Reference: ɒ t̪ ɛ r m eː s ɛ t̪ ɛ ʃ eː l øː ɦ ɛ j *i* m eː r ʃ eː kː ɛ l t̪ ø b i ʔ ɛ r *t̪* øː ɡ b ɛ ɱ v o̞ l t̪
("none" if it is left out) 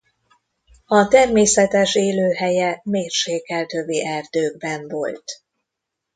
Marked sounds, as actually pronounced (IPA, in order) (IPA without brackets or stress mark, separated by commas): ɛ, d̪